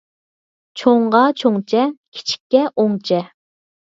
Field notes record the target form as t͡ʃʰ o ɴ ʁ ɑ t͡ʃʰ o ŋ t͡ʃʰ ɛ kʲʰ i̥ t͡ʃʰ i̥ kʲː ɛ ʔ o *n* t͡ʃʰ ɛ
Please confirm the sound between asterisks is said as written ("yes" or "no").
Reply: no